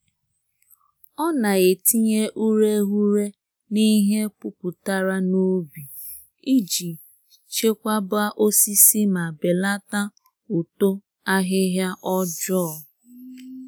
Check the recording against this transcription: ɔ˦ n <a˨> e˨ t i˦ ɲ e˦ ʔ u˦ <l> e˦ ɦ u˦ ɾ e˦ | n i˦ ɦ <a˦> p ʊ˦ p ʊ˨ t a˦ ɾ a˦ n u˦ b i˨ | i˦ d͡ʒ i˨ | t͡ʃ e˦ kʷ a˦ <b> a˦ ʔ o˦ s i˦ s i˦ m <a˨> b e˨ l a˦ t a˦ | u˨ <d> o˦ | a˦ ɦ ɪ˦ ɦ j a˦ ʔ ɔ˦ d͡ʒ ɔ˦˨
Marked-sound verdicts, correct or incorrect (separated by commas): correct, incorrect, incorrect, correct, correct, incorrect